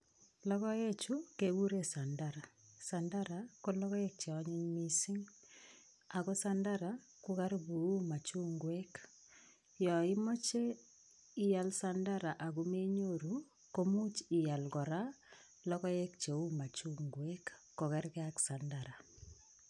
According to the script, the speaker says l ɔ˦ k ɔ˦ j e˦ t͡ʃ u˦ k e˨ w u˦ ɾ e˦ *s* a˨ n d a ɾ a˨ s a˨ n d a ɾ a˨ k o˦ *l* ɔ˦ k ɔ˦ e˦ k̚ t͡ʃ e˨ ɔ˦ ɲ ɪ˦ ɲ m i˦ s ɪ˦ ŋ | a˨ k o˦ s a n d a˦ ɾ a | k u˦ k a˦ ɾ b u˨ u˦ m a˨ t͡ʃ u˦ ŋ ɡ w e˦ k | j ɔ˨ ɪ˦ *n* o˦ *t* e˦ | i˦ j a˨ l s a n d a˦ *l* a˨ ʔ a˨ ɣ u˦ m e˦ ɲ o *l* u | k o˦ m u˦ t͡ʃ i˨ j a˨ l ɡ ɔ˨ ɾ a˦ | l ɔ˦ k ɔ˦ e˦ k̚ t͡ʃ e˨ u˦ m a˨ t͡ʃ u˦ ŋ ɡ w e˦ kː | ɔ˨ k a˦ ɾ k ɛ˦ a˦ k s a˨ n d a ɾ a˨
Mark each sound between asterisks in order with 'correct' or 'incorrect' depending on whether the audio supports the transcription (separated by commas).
correct, correct, incorrect, incorrect, incorrect, incorrect